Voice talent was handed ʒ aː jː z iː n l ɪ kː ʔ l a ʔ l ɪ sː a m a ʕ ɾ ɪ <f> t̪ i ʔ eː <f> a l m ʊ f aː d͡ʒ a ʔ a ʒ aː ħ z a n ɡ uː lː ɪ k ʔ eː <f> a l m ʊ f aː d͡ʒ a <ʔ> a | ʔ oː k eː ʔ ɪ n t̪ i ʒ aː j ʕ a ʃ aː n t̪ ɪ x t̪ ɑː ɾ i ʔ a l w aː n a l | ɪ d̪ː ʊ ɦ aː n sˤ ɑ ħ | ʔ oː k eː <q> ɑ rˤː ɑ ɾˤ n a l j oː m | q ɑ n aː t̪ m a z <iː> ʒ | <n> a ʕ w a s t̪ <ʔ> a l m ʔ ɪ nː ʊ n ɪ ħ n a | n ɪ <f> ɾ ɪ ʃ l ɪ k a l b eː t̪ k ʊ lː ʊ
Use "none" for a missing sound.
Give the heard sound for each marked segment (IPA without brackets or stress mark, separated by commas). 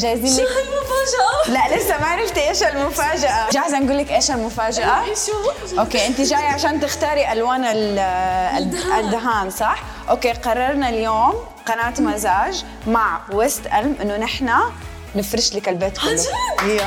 f, ʃ, ʃ, ʔ, q, aː, m, ʔ, f